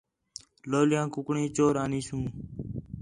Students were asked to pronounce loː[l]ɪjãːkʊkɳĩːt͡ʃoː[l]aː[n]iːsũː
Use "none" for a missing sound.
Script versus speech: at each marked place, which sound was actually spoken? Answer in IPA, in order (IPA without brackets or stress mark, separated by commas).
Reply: l, ɾ, n